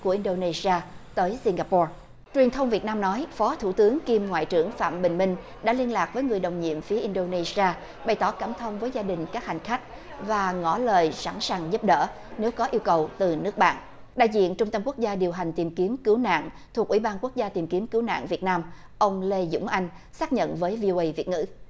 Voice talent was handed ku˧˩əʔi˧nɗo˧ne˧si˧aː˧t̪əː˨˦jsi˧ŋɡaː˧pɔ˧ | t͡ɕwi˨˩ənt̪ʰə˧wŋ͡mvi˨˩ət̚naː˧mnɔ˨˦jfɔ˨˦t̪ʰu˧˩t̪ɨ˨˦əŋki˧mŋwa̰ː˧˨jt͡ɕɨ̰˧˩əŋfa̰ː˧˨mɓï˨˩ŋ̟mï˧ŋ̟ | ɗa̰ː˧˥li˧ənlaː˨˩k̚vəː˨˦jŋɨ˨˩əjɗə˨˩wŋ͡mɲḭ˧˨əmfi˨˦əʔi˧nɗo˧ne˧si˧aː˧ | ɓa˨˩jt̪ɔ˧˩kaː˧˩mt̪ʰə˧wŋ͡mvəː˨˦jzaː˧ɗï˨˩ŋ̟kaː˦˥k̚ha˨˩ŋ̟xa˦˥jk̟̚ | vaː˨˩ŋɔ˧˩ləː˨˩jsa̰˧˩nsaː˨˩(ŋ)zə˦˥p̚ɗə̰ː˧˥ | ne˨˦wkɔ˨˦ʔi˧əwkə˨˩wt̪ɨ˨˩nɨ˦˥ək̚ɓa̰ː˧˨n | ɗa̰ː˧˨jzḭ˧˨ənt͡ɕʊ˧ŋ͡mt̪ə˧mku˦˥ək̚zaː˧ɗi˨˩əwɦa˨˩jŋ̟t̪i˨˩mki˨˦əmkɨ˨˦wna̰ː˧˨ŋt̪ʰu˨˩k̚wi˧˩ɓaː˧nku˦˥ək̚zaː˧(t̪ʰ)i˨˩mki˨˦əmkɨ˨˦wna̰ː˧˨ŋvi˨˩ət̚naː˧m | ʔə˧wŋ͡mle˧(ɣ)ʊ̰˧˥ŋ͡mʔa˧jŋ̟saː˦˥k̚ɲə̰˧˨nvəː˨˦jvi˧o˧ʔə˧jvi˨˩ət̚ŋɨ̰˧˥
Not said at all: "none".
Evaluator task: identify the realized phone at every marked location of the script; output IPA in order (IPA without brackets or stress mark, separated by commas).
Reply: ŋ, t̪, z